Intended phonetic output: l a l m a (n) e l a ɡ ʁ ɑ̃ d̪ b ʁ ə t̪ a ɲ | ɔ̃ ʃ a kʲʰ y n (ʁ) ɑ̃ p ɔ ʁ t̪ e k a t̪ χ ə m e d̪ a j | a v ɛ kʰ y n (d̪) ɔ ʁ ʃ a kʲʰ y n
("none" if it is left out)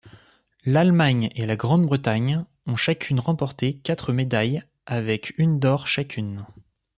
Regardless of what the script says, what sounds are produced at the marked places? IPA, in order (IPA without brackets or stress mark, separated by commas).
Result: ɲ, ʁ, d̪